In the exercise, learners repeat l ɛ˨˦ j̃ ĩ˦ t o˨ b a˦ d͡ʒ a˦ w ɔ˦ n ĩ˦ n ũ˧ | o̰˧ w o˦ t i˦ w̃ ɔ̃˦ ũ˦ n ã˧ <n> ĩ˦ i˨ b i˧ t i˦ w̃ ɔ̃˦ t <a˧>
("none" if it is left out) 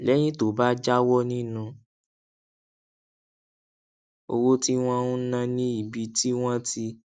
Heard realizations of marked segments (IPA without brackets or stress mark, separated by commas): n, i˧